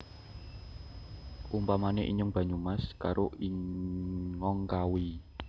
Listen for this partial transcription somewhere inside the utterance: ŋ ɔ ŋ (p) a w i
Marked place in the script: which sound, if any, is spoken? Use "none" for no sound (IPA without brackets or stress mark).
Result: k